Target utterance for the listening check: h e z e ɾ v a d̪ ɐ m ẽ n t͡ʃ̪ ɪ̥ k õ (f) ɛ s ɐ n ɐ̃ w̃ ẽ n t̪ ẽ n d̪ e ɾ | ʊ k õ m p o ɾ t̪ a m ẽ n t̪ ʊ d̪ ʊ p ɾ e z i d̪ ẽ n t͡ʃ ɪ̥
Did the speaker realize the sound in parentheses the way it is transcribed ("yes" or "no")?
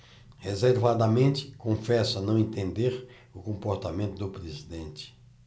yes